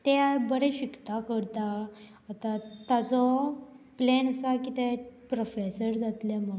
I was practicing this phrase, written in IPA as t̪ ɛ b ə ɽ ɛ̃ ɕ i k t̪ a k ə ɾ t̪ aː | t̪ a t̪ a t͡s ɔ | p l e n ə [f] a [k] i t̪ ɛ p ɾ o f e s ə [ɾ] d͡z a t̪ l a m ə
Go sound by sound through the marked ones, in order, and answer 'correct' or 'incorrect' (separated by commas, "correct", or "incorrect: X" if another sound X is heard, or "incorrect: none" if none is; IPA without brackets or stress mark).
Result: incorrect: s, correct, correct